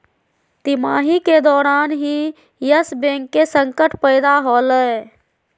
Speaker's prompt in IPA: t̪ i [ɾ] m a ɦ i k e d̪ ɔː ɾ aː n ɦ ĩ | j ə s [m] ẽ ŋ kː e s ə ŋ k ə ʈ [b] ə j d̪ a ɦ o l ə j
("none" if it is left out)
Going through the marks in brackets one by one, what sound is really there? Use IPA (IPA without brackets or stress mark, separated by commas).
none, b, p